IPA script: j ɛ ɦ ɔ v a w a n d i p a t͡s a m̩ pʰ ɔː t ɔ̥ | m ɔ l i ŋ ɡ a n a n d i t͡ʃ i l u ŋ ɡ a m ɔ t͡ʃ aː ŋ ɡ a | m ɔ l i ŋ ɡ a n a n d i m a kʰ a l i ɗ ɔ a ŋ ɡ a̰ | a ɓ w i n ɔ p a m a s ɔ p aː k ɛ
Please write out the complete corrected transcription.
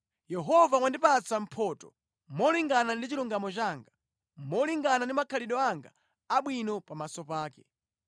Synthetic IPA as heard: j ɛ ɦ ɔ v a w a n d i p a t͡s a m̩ pʰ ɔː t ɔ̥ | m ɔ l i ŋ ɡ a n a n d i t͡ʃ i l u ŋ ɡ a m ɔ t͡ʃ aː ŋ ɡ a | m ɔ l i ŋ ɡ a n a n d i m a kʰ a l i ɗ ɔ a ŋ ɡ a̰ | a ɓ w i n ɔ p a m a s ɔ p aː k ɛ